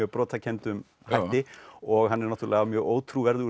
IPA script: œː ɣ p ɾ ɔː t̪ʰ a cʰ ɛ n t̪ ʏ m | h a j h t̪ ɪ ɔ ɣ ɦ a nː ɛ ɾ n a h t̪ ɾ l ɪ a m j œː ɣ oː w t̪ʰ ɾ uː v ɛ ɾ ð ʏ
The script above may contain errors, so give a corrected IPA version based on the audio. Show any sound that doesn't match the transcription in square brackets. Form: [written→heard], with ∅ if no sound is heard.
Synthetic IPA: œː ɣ p ɾ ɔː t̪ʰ a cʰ ɛ n t̪ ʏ m | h a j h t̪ ɪ ɔ ɣ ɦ a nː ɛ ɾ n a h t̪ ɾ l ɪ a m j œː ɣ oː w t̪ʰ ɾ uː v ɛ ɾ ð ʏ